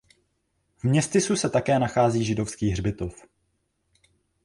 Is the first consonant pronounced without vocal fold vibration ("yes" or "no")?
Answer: no